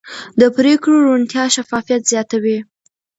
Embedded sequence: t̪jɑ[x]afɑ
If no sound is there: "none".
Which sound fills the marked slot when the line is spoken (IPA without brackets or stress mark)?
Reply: ʃ